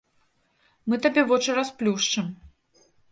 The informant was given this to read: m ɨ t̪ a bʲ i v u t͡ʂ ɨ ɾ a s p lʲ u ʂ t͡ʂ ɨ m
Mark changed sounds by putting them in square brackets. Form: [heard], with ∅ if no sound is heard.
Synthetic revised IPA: m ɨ t̪ a bʲ [ɛ] v [ɔ] t͡ʂ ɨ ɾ a s p lʲ u ʂ t͡ʂ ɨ m